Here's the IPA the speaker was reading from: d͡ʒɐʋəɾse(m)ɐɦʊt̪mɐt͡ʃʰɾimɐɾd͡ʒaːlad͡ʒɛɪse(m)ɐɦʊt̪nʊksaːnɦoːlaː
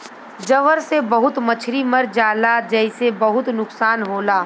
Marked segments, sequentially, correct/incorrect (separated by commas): incorrect, incorrect